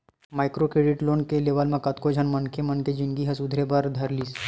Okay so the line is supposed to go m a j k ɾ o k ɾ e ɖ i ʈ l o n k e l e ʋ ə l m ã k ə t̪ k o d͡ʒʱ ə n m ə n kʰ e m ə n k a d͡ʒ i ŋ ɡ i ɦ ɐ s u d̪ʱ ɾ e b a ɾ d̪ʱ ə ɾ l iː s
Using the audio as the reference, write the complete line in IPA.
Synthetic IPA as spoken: m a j k ɾ o k ɾ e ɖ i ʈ l o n k e l e ʋ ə l m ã k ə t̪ k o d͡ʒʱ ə n m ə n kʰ e m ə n k e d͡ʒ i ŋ ɡ i ɦ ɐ s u d̪ʱ ɾ e b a ɾ d̪ʱ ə ɾ l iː s